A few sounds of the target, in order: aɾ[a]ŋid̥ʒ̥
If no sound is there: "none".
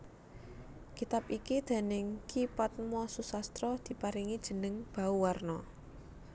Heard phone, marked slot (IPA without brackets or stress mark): i